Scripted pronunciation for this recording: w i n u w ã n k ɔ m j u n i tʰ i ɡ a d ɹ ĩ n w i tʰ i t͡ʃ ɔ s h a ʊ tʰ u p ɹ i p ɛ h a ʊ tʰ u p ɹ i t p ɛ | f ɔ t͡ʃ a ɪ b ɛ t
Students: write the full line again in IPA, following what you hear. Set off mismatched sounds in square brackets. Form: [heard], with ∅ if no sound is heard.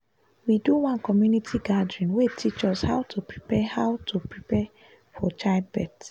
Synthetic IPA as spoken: w i [d] u w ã n k ɔ m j u n i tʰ i ɡ a d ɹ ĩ n w [e] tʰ i t͡ʃ ɔ s h a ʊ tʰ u p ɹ i p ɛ h a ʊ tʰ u p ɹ i [∅] p ɛ | f ɔ t͡ʃ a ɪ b ɛ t